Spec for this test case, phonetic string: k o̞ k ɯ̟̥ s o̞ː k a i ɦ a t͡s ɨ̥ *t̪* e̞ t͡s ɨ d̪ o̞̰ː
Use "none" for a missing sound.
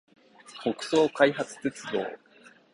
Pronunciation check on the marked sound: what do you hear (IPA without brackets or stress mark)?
t̪